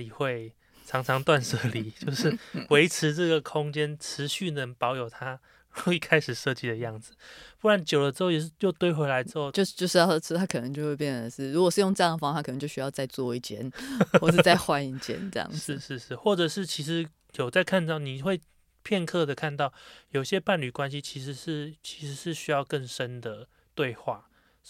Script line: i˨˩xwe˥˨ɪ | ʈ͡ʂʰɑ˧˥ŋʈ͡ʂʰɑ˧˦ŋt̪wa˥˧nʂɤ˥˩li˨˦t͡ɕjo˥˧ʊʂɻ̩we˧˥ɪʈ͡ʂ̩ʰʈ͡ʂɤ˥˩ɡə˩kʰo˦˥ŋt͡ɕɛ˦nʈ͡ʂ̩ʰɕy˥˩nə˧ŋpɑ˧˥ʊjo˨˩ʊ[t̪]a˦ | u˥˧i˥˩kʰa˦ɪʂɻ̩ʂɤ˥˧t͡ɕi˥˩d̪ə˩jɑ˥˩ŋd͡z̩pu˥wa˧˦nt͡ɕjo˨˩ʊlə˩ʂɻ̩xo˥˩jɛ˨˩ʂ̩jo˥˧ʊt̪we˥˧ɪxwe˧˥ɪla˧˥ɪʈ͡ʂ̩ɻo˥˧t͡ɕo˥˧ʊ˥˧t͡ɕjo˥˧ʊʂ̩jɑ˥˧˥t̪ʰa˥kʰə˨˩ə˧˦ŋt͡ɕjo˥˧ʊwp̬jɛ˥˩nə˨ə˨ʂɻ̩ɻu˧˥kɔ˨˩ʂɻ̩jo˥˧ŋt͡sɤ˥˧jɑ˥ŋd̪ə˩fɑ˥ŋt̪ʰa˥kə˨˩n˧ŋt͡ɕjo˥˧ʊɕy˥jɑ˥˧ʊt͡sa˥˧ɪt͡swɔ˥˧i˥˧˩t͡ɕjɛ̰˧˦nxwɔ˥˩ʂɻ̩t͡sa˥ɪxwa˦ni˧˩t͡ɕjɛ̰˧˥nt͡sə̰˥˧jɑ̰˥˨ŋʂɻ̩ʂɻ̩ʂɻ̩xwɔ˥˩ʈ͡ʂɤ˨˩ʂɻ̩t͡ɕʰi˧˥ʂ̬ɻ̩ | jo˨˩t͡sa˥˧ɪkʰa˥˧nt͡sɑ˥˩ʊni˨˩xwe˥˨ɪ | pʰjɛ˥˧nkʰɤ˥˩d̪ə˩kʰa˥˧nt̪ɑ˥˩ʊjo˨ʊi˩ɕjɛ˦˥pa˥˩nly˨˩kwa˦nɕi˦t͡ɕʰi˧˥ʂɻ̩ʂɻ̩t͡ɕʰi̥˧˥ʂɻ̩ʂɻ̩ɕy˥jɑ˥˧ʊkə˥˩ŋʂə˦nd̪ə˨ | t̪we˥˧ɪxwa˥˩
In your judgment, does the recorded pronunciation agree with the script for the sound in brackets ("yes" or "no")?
no